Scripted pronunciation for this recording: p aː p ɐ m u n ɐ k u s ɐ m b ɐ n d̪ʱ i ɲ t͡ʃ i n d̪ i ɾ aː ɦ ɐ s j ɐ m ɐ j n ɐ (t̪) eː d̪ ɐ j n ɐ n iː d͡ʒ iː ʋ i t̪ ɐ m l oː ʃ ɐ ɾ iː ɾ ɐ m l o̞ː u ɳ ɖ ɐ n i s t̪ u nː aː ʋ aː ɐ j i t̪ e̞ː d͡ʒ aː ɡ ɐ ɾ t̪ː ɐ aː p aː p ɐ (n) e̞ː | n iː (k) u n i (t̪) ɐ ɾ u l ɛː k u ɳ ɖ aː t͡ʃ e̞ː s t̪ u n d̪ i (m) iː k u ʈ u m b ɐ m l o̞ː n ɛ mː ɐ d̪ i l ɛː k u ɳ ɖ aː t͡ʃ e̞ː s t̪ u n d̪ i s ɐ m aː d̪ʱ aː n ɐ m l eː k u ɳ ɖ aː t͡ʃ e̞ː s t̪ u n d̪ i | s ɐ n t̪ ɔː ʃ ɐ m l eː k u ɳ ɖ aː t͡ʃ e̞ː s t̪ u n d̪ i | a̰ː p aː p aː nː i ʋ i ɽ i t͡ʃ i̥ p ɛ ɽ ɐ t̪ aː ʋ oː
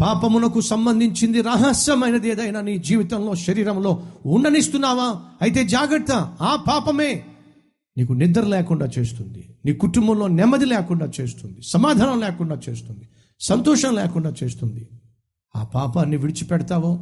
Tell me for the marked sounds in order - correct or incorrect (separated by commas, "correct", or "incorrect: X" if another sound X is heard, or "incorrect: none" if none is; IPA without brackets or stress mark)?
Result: incorrect: d̪, incorrect: m, correct, incorrect: d̪, incorrect: n